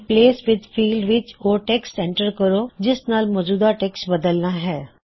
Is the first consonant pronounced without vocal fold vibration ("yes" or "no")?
yes